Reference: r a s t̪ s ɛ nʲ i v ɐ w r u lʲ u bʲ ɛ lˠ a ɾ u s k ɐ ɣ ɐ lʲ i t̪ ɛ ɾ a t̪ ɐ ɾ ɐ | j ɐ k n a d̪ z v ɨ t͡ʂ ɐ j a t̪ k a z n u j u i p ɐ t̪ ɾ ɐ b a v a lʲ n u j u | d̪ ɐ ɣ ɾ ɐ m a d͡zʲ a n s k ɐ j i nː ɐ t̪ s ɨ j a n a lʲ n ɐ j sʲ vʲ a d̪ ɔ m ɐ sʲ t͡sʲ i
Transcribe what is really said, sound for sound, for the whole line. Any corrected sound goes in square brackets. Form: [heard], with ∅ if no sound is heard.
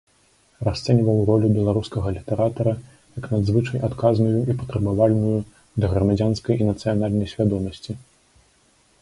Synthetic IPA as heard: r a s t̪ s ɛ nʲ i v ɐ w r [ɔ] lʲ u bʲ ɛ lˠ a ɾ u s k ɐ ɣ ɐ lʲ i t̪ ɛ ɾ a t̪ ɐ ɾ ɐ | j ɐ k n a d̪ z v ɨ t͡ʂ ɐ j a t̪ k a z n u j u i p ɐ t̪ ɾ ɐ b a v a lʲ n u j u | d̪ ɐ ɣ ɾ ɐ m a d͡zʲ a n s k ɐ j i [n] ɐ t̪ s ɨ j a n a lʲ n ɐ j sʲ vʲ a d̪ ɔ m ɐ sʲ t͡sʲ i